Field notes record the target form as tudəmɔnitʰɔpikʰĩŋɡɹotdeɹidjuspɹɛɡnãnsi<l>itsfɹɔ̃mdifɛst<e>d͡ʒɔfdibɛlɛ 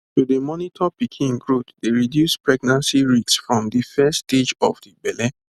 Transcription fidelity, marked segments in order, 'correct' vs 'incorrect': incorrect, correct

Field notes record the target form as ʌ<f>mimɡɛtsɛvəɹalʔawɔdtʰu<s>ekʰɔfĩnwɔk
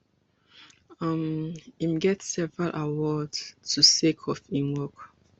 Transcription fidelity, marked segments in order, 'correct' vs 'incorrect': incorrect, correct

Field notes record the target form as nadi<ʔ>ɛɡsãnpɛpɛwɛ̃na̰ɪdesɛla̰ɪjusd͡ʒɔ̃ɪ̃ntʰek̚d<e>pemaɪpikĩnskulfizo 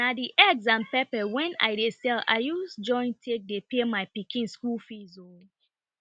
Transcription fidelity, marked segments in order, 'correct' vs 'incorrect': correct, correct

